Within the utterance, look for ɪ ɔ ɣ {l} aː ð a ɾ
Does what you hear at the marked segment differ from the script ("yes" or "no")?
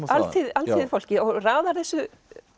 yes